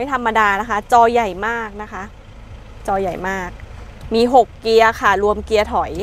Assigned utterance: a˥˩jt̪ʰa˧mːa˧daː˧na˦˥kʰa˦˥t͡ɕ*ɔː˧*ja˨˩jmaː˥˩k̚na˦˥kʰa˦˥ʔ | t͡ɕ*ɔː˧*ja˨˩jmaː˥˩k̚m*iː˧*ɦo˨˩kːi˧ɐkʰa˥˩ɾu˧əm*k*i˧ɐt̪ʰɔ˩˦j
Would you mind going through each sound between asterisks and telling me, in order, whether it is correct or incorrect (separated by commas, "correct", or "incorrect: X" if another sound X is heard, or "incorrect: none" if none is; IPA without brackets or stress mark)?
correct, correct, correct, correct